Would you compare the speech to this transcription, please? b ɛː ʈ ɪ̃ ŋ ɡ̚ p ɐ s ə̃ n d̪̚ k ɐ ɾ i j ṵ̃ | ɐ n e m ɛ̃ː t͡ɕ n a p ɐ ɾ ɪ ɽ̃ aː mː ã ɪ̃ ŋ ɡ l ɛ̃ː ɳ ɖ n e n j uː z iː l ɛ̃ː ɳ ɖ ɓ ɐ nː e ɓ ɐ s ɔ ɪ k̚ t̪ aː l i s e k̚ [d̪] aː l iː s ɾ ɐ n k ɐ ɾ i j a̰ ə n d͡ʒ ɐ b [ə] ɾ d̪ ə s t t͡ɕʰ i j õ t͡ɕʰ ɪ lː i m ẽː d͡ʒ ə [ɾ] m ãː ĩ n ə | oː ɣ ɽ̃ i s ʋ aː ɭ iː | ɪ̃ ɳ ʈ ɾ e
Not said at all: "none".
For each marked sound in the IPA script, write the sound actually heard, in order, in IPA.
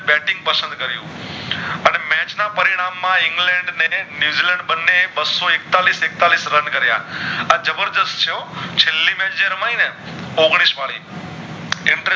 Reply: t̪, ə, ɾ

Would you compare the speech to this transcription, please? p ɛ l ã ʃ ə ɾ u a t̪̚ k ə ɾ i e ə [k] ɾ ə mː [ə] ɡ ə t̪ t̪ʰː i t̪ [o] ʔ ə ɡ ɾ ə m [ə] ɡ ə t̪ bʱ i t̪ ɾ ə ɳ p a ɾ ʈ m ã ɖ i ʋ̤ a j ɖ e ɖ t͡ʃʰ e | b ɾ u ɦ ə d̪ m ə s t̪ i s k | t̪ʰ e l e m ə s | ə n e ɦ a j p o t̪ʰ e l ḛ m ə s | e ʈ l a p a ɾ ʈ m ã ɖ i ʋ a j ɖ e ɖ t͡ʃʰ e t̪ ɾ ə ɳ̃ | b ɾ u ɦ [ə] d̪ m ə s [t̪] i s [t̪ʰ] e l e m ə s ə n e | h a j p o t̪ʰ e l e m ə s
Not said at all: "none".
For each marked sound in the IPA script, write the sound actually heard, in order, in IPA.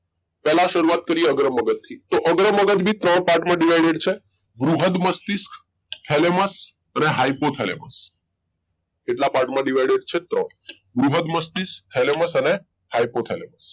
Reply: ɡ, ə, o, ə, ə, t̪, t̪ʰ

